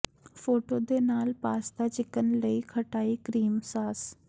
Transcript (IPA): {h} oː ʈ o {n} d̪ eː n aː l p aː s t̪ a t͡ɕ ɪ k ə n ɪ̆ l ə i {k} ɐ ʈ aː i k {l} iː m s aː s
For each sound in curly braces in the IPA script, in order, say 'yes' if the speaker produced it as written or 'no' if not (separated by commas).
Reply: no, no, no, no